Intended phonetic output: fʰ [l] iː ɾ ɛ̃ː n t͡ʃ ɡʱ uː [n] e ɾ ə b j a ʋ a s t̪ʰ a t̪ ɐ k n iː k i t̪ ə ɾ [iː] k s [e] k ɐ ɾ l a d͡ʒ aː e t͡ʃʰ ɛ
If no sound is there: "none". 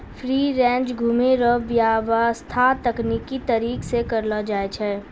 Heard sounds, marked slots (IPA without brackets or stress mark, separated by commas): ɾ, m, iː, e